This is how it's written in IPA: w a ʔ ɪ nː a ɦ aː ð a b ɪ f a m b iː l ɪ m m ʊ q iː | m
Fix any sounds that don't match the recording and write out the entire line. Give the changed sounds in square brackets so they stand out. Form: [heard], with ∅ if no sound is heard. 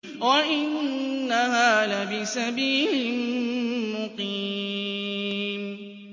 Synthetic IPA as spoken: w a ʔ ɪ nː a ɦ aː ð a b ɪ [s] a [∅] b iː l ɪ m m ʊ q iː | m